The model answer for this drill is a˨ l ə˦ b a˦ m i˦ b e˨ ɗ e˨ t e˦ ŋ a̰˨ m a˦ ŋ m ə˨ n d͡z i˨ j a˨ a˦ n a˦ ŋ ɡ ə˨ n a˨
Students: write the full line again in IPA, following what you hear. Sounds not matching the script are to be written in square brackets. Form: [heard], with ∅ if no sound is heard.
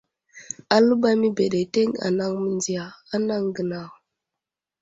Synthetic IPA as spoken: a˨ l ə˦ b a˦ m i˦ b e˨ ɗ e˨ t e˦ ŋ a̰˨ [n] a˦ ŋ m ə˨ n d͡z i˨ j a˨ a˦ n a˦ ŋ ɡ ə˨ n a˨